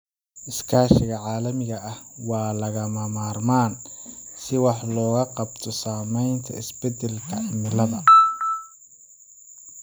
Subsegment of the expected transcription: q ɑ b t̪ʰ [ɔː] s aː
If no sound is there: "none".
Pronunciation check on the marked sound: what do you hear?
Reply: ɔ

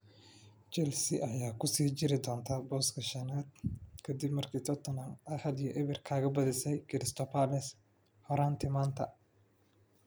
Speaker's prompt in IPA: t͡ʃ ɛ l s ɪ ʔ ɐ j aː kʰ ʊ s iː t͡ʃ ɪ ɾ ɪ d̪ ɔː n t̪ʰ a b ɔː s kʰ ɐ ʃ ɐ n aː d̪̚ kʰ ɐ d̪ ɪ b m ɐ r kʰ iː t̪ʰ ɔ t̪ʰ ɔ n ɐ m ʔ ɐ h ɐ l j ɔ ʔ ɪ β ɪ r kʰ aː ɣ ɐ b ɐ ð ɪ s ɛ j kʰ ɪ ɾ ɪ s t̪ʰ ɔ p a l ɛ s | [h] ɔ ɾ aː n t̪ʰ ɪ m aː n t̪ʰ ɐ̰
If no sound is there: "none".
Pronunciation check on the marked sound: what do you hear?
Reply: h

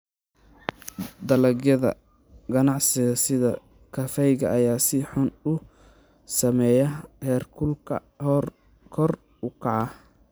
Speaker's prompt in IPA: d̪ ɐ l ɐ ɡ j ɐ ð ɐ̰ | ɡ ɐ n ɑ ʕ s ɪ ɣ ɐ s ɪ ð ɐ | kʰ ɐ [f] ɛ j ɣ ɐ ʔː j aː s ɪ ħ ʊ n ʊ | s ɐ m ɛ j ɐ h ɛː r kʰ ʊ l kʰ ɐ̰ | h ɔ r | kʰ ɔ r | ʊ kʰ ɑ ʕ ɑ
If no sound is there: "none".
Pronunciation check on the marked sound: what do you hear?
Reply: f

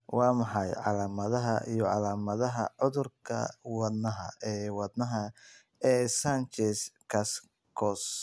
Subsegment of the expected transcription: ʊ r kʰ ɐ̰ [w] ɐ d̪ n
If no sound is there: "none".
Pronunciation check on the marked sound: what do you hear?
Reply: w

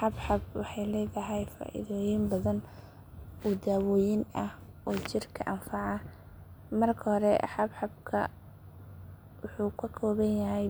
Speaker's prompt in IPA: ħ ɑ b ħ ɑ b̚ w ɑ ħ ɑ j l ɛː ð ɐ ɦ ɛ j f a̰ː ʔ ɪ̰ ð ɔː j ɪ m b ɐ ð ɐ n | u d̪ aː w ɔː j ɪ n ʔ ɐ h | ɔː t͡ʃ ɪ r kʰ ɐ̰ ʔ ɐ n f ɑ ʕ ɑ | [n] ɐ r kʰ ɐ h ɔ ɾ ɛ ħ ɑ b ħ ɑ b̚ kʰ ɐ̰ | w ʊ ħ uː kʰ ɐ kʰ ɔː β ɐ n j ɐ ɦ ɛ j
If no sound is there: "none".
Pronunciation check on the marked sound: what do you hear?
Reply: m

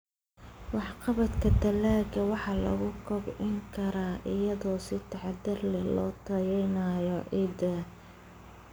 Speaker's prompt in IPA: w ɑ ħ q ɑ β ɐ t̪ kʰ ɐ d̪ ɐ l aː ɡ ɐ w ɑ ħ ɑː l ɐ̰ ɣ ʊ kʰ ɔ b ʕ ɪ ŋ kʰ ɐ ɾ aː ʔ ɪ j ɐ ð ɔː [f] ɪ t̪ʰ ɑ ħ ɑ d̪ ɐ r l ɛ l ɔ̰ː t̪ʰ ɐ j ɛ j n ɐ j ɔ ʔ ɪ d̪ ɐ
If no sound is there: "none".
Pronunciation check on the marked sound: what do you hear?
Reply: s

